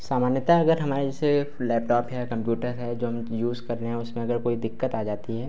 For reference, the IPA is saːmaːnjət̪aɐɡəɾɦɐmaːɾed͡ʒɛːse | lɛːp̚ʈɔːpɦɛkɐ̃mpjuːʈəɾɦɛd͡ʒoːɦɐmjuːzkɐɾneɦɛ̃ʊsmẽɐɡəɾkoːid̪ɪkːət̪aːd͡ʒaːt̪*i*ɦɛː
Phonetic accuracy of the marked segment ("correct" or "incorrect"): correct